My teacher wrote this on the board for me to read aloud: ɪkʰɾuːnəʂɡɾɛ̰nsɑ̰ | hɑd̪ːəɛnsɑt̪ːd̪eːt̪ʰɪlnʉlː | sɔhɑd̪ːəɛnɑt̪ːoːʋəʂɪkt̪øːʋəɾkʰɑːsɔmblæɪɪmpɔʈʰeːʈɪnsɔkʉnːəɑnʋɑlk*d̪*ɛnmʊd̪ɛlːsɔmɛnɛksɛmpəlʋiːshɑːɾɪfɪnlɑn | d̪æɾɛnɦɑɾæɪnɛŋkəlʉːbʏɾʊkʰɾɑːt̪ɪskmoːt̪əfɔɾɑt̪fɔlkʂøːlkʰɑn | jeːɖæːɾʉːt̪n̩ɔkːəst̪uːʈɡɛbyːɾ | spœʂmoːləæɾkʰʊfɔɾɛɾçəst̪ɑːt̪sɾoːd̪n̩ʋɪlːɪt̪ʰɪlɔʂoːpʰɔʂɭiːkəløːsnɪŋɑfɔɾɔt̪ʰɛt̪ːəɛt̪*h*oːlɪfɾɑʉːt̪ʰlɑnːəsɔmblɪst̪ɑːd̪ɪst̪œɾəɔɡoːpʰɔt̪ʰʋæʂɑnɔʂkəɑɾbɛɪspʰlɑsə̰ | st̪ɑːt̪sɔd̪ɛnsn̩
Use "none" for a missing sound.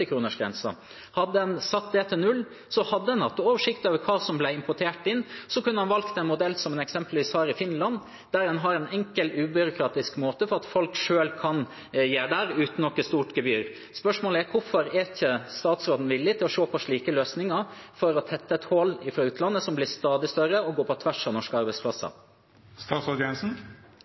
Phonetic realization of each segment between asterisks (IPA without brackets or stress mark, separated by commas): t̪, h